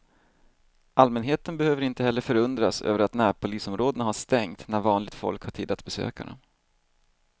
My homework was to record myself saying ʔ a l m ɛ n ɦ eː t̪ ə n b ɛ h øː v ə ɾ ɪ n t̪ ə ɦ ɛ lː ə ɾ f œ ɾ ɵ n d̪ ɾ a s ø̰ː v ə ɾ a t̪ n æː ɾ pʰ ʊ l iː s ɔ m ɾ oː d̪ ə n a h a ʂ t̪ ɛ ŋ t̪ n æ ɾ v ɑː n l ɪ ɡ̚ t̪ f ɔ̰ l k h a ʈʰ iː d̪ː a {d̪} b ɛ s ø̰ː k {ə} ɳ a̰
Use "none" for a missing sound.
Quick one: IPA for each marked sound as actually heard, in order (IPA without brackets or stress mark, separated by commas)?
t̪, a